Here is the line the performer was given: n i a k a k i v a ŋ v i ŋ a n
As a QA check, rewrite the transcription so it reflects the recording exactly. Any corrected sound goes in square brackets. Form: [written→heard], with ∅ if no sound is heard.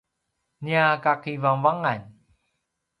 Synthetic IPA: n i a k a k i v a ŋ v [i→a] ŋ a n